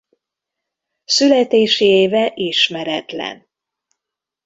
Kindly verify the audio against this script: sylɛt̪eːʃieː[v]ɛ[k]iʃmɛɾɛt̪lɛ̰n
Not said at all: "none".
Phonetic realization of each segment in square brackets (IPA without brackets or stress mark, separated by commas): v, ʔ